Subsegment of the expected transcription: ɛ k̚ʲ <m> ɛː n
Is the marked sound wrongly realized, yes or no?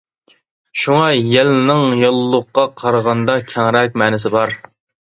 no